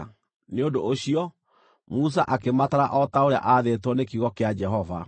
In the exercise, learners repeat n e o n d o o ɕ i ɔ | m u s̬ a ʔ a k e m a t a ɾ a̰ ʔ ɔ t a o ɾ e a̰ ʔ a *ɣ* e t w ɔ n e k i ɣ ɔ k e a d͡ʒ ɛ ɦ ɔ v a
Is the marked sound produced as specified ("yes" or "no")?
no